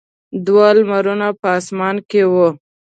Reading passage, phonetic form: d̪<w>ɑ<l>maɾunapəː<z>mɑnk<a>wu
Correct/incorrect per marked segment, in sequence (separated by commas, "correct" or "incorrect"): correct, correct, incorrect, incorrect